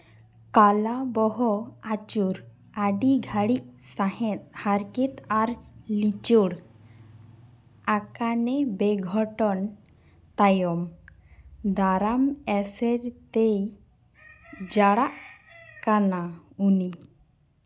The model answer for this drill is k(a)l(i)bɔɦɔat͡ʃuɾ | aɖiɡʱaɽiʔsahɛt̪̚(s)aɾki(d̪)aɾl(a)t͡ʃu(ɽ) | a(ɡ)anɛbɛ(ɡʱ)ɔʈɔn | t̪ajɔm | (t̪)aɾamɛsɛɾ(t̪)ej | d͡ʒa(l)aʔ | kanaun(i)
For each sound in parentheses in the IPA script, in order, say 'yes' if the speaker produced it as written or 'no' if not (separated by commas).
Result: yes, no, no, no, no, yes, no, yes, no, yes, no, yes